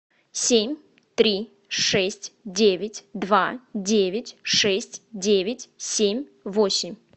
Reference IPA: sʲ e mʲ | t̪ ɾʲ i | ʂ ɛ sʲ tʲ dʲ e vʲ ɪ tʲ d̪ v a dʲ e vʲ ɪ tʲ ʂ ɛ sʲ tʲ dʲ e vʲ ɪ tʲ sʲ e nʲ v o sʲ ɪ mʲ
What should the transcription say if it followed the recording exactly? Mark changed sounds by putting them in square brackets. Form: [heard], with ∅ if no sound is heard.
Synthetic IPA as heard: sʲ e mʲ | t̪ ɾʲ i | ʂ ɛ sʲ tʲ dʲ e vʲ ɪ tʲ d̪ v a dʲ e vʲ ɪ tʲ ʂ ɛ sʲ tʲ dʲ e vʲ ɪ tʲ sʲ e [mʲ] v o sʲ ɪ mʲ

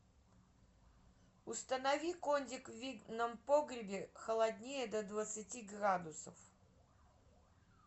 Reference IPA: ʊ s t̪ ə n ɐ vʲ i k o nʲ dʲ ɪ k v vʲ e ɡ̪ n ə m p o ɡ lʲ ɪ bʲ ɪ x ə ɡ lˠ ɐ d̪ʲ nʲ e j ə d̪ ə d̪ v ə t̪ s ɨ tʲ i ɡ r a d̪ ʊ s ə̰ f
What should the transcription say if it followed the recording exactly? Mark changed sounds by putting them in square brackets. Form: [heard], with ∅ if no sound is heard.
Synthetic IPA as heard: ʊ s t̪ ə n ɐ vʲ i k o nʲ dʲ ɪ k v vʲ [i] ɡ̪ n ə m p o ɡ [ɾʲ] ɪ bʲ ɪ x ə [∅] lˠ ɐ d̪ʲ nʲ e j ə d̪ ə d̪ v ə t̪ s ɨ tʲ i ɡ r a d̪ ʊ s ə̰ f

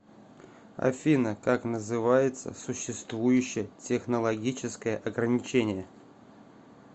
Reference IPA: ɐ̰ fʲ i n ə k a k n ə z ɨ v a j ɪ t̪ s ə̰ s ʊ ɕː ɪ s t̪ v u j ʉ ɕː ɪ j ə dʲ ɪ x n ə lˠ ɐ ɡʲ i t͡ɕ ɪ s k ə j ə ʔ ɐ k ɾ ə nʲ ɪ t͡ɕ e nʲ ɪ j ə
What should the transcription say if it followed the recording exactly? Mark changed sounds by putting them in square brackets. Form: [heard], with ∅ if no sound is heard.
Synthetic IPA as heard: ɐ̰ fʲ i n ə k a k n ə z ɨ v a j ɪ t̪ s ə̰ s ʊ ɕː ɪ s t̪ v u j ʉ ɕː ɪ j ə [tʲ] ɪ x n ə lˠ ɐ ɡʲ i t͡ɕ ɪ s k ə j ə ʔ ɐ [ɡ] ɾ ə nʲ ɪ t͡ɕ e nʲ ɪ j ə

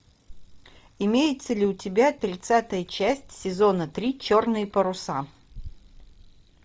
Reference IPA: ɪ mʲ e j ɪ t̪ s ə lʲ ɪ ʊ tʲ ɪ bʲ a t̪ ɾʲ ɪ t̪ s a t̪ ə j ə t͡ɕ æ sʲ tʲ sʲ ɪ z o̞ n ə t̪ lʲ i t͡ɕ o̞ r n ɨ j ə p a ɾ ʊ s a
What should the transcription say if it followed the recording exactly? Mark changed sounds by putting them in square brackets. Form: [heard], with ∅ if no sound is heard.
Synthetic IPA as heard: ɪ mʲ e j ɪ t̪ s ə lʲ ɪ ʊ tʲ ɪ bʲ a t̪ ɾʲ ɪ t̪ s a t̪ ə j ə t͡ɕ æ sʲ tʲ sʲ ɪ z o̞ n ə t̪ [ɾʲ] i t͡ɕ o̞ r n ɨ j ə p [ə] ɾ ʊ s a

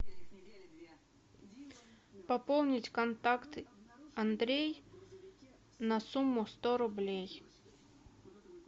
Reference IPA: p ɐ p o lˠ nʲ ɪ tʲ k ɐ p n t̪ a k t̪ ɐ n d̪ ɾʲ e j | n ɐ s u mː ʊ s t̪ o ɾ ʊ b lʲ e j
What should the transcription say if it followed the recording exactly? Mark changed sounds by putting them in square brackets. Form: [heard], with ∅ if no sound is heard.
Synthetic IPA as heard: p ɐ p o lˠ nʲ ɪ tʲ k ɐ [∅] n t̪ a k t̪ ɐ n d̪ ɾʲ e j | n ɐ s u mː ʊ s t̪ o ɾ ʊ b lʲ e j

